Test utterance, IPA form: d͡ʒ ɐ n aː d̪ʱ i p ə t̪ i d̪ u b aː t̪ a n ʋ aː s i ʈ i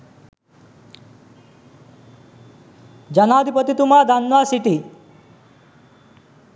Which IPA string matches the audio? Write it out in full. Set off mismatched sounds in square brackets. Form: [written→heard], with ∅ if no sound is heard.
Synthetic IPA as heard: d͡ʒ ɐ n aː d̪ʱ i p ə t̪ i [d̪→t̪] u [b→m] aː [t̪→d̪] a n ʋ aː s i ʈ i